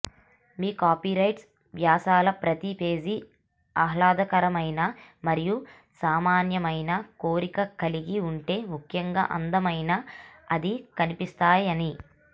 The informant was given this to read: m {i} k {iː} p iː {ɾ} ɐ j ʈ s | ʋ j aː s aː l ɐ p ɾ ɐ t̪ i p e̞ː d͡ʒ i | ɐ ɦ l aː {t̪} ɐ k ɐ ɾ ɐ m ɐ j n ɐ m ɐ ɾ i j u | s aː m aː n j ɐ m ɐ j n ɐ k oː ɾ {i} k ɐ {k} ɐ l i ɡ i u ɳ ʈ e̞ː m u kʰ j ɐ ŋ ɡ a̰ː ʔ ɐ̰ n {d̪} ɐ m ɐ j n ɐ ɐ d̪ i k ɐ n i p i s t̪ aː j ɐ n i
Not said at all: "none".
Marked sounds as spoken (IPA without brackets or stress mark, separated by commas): iː, aː, ɾ, d̪, i, k, d̪